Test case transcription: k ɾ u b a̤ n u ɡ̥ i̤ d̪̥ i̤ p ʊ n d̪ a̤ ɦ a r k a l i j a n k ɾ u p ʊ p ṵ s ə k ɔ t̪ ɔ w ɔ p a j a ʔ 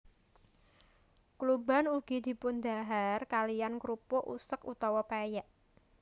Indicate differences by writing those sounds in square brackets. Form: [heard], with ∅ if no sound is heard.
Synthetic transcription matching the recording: k [l] u b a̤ n u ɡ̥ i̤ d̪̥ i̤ p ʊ n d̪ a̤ ɦ a r k a l i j a n k ɾ u p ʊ [ʔ] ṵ s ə k [u] t̪ ɔ w ɔ p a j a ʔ